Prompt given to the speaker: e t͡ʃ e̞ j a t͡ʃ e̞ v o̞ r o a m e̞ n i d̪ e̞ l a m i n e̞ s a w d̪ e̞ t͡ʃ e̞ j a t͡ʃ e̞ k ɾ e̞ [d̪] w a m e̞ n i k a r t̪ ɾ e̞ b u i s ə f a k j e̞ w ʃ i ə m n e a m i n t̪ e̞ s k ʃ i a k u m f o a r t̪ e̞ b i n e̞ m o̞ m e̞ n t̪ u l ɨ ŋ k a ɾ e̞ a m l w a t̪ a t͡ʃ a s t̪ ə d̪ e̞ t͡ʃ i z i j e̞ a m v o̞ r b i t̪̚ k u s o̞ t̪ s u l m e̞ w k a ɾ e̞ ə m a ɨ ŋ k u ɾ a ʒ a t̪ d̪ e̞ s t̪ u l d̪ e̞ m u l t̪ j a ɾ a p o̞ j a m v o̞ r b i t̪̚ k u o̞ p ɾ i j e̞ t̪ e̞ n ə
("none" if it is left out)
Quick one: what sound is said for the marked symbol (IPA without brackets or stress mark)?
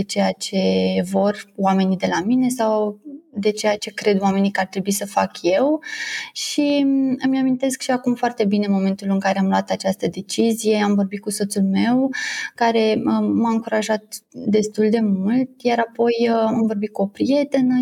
d̪